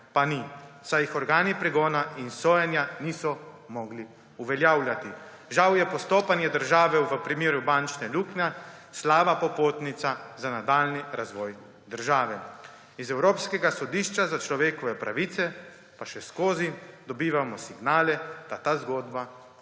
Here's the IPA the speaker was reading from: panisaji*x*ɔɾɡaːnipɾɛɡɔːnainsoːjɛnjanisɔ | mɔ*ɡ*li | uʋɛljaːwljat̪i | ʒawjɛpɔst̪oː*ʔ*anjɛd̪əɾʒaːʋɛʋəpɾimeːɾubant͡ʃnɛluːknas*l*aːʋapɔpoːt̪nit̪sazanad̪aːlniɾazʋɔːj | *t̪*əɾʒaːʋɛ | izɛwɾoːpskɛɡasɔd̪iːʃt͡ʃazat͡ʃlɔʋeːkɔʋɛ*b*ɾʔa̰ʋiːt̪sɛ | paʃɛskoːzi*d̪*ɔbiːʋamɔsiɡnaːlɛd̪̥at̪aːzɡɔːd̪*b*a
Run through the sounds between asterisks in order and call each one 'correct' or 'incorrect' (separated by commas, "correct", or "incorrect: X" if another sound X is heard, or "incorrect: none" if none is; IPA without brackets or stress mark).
correct, correct, incorrect: p, correct, incorrect: d̪, incorrect: p, correct, correct